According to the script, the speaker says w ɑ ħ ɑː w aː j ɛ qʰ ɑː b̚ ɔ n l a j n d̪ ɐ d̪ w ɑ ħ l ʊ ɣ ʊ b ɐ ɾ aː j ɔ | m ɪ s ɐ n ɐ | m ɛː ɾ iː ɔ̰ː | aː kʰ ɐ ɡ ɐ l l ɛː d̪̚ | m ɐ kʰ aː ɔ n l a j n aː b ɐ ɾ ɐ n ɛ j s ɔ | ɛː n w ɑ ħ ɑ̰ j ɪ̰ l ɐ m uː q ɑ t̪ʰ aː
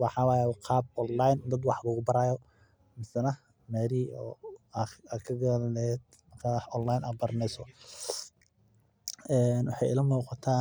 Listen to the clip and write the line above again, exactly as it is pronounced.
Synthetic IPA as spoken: w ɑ ħ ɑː w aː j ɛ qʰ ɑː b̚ ɔ n l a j n d̪ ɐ d̪ w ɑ ħ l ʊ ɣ ʊ b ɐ ɾ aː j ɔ | m ɪ s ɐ n ɐ | m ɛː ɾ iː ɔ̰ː | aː kʰ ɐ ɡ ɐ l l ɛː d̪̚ | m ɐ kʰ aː ɔ n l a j n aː b ɐ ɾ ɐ n ɛ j s ɔ | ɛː n w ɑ ħ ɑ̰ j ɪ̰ l ɐ m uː q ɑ t̪ʰ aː